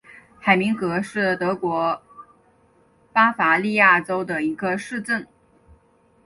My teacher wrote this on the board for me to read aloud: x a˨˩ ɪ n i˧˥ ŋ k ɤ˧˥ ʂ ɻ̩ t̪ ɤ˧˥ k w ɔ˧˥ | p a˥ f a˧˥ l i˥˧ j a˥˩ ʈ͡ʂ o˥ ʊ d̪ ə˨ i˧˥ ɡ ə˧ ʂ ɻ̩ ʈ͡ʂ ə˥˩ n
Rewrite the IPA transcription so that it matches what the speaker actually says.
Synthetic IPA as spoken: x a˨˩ ɪ m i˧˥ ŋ k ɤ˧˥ ʂ ɻ̩ t̪ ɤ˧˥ k w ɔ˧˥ | p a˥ f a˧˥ l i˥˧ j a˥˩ ʈ͡ʂ o˥ ʊ d̪ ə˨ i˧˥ ɡ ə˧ ʂ ɻ̩ ʈ͡ʂ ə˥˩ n

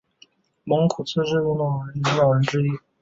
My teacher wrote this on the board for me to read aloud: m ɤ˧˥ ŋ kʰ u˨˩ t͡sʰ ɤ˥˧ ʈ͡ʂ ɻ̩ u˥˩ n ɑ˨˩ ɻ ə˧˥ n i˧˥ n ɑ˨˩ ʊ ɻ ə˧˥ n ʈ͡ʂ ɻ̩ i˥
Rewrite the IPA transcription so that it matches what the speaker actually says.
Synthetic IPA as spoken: m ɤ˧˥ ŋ kʰ u˨˩ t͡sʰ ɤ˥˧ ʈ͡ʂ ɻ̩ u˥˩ n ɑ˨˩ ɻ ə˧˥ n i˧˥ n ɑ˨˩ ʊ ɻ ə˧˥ n ʈ͡ʂ ɻ̩ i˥

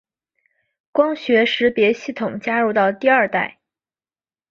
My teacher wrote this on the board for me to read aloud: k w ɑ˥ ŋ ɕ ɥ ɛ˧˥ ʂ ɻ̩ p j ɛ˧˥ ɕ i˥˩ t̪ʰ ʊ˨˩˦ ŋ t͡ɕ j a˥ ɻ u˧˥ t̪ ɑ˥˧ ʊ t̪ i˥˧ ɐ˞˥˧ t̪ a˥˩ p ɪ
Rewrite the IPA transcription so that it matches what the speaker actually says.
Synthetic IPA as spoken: k w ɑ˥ ŋ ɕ ɥ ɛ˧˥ ʂ ɻ̩ p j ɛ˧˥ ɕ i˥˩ t̪ʰ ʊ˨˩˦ ŋ t͡ɕ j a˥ ɻ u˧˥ t̪ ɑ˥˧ ʊ t̪ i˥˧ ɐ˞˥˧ t̪ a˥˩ ɪ

